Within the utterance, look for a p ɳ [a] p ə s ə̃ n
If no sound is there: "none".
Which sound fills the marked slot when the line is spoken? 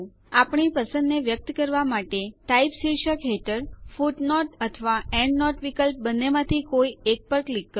i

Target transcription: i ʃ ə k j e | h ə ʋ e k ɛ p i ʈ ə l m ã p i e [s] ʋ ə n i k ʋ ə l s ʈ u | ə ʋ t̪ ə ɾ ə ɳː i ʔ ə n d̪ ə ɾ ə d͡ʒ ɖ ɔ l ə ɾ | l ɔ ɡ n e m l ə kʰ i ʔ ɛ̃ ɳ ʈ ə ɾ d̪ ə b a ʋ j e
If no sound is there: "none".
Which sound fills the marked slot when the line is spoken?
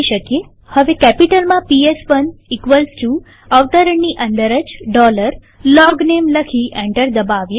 s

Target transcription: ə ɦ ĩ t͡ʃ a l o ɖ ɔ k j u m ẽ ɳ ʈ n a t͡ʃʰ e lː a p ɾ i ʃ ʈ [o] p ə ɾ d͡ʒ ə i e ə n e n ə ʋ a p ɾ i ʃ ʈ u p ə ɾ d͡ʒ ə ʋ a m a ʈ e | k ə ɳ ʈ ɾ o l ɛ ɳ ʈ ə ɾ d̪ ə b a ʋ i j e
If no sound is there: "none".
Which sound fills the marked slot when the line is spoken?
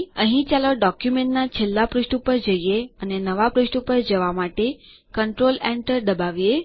u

